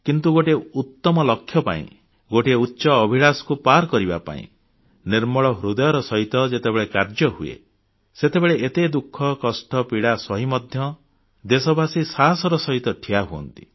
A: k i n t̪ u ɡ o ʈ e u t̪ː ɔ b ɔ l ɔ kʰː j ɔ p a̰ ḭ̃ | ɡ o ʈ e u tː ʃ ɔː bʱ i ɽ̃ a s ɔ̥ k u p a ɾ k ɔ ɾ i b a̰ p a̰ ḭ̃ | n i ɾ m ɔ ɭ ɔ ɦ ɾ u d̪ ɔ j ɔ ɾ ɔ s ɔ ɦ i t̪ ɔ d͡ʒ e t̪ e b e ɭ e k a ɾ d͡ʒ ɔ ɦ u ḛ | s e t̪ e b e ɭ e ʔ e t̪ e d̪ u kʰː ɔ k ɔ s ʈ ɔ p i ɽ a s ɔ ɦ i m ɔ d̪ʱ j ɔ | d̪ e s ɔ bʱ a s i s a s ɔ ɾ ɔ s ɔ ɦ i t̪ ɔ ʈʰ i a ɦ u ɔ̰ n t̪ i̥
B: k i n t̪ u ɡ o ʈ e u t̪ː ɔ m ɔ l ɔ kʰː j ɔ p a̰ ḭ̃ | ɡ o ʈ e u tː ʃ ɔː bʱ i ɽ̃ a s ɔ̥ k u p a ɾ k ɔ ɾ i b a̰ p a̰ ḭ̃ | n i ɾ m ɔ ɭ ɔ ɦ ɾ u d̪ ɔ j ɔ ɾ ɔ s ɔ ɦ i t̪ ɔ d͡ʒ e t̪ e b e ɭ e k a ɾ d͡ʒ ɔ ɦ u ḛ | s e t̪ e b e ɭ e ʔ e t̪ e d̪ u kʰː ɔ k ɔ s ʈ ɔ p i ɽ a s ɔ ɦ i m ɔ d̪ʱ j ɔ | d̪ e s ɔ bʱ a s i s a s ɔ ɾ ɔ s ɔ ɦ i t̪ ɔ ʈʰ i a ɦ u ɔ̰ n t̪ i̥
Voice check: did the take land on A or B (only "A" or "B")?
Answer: B